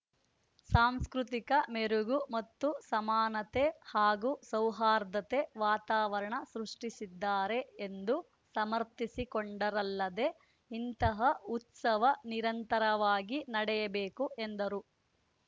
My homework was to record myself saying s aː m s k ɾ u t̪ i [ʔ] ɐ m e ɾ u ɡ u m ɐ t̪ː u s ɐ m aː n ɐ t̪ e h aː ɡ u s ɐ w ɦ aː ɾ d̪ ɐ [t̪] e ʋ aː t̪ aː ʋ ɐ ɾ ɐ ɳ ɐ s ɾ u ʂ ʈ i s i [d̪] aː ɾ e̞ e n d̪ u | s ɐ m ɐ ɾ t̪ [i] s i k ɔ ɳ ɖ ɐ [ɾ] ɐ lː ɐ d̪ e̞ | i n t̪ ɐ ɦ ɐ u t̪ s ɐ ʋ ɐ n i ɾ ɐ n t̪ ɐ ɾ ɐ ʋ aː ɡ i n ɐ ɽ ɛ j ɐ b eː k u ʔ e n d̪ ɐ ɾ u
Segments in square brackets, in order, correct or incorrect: incorrect: k, correct, incorrect: d̪ː, correct, correct

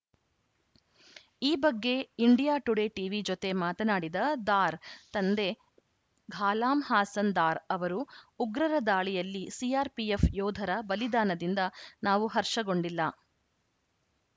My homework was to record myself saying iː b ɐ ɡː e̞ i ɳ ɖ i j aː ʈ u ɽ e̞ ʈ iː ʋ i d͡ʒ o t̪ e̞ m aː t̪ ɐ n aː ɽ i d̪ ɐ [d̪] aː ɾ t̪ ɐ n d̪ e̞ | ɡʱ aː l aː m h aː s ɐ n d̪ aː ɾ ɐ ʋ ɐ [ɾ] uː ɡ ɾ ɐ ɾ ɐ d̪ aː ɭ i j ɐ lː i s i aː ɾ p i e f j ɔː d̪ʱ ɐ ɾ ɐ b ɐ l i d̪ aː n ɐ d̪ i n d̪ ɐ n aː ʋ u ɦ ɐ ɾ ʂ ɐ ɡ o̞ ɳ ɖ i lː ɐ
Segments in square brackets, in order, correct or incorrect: correct, correct

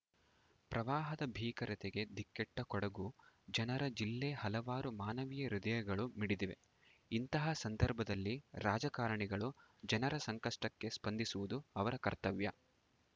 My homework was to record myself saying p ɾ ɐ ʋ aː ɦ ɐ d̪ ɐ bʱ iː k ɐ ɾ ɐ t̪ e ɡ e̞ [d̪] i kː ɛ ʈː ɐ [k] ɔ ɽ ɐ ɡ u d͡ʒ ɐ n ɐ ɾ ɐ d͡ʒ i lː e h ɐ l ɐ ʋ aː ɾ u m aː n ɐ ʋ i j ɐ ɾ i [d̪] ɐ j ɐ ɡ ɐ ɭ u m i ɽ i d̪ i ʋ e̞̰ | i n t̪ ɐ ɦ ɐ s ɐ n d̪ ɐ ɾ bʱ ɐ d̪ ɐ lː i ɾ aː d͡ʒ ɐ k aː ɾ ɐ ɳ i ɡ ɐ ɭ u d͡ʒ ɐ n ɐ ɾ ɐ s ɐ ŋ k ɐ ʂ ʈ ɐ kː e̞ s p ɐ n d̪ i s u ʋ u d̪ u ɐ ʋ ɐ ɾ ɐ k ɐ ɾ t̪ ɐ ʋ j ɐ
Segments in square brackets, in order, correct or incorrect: correct, correct, correct

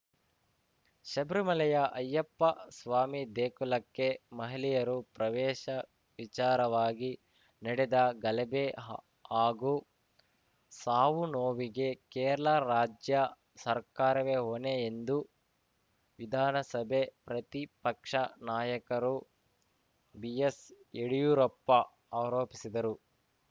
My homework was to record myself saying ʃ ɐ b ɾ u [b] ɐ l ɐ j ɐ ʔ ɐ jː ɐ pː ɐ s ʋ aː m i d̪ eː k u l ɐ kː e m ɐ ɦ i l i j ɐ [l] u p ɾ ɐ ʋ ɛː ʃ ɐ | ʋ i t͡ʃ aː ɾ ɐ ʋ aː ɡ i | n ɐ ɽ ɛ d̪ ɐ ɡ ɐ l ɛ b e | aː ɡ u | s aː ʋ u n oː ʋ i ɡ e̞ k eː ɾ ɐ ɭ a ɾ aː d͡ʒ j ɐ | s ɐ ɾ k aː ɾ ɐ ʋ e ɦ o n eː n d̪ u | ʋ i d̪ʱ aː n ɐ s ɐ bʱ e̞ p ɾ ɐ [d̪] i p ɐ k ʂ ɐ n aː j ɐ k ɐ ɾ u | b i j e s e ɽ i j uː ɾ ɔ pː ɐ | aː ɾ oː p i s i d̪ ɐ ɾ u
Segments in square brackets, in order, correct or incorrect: incorrect: m, incorrect: ɾ, incorrect: t̪

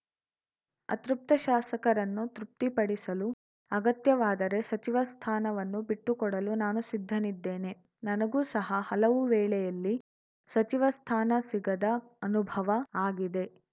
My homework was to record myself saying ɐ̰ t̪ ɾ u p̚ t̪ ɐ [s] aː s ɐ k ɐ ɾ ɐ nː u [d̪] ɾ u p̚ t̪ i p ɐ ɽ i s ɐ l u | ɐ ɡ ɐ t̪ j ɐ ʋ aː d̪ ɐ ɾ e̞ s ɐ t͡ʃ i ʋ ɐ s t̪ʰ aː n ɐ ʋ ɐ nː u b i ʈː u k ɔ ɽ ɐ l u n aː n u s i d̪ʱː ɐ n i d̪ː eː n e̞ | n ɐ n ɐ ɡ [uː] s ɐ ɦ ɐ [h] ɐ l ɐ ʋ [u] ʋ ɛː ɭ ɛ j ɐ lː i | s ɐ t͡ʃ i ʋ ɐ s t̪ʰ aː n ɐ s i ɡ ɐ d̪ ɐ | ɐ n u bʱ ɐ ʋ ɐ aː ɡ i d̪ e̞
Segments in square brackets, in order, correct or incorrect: incorrect: ʃ, incorrect: t̪, correct, correct, correct

